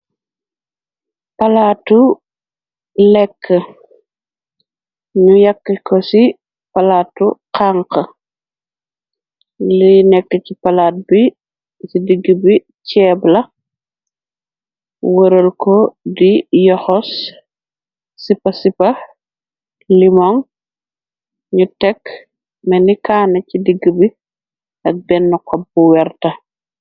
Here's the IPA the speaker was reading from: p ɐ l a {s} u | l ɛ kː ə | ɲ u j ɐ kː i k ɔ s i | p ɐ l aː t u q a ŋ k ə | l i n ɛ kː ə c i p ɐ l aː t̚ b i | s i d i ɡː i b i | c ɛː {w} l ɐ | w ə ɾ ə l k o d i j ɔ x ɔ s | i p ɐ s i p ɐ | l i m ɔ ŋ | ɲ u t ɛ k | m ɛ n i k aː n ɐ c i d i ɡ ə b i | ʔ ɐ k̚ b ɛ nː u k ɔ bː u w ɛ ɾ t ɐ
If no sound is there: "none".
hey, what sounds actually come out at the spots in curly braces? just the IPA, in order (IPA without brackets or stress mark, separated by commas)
t, b